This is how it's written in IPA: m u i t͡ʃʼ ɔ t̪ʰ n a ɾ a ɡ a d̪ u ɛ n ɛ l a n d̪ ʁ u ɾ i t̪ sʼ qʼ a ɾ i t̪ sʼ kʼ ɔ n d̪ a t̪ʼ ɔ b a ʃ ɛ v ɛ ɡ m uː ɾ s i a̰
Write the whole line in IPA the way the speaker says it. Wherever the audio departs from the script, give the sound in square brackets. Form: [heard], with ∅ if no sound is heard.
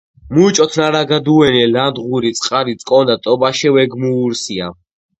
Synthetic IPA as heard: m u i t͡ʃʼ ɔ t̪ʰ n a ɾ a ɡ a d̪ u ɛ n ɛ l a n d̪ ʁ u ɾ i t̪ sʼ qʼ a ɾ i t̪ sʼ kʼ ɔ n d̪ a t̪ʼ ɔ b a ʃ ɛ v ɛ ɡ m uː ɾ s i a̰